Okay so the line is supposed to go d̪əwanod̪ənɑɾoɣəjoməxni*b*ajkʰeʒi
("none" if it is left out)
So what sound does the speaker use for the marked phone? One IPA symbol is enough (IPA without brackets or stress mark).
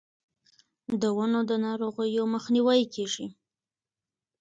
w